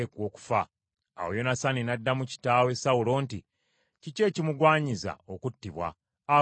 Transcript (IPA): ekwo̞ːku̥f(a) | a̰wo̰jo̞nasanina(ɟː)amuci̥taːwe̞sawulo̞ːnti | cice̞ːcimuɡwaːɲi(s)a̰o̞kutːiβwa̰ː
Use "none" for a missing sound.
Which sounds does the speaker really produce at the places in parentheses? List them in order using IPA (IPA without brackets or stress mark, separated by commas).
a, dː, z